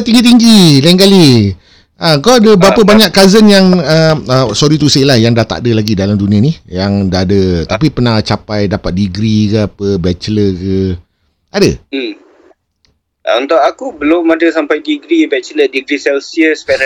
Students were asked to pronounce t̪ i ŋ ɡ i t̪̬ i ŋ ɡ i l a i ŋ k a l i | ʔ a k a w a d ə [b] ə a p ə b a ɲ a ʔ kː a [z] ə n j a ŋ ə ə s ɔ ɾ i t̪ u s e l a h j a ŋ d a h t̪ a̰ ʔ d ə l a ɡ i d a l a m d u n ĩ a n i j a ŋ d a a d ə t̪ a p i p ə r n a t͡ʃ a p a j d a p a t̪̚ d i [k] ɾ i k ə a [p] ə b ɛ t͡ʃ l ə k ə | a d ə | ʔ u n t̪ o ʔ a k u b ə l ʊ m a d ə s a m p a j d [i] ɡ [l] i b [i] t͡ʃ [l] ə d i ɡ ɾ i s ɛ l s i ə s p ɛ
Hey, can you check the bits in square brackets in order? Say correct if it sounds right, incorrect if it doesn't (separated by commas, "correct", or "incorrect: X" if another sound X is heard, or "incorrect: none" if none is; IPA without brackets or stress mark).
correct, correct, incorrect: ɡ, correct, correct, incorrect: ɾ, incorrect: ɛ, correct